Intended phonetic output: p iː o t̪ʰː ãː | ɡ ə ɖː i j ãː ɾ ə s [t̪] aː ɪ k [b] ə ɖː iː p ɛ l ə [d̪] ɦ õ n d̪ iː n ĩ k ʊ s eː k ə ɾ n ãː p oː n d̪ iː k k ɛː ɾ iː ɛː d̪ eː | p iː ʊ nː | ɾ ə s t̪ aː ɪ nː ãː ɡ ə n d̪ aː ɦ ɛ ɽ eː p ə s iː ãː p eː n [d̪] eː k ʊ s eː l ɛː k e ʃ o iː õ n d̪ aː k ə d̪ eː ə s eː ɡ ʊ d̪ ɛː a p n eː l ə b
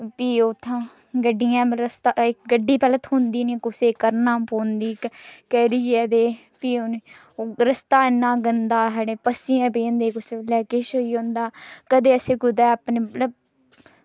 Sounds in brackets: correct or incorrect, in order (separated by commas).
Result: correct, incorrect, incorrect, correct